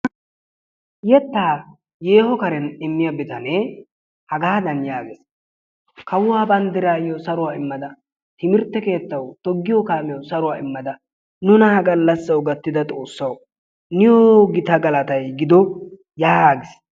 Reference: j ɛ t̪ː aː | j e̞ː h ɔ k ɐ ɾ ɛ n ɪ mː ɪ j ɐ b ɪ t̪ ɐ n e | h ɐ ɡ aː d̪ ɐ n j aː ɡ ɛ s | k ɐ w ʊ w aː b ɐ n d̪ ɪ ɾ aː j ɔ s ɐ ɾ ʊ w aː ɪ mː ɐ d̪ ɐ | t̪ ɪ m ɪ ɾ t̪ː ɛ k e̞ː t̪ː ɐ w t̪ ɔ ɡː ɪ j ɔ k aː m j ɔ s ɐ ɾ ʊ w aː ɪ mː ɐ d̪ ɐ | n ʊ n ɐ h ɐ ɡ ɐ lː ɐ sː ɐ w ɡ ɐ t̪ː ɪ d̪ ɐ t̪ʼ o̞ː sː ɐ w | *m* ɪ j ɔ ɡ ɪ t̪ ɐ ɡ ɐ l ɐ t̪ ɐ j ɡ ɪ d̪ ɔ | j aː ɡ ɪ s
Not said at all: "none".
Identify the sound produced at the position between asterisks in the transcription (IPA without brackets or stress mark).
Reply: n